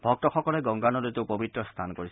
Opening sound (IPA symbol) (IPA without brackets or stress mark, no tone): bʱ